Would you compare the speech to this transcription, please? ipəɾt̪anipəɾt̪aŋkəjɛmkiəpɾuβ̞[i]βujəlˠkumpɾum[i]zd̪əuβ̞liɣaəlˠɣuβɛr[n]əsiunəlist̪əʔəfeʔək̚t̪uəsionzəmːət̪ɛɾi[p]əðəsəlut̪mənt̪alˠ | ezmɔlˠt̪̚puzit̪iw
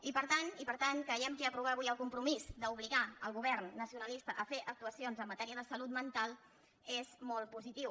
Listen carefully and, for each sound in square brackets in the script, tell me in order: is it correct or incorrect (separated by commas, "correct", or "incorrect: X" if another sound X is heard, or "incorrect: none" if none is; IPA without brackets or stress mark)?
incorrect: a, correct, incorrect: nː, incorrect: none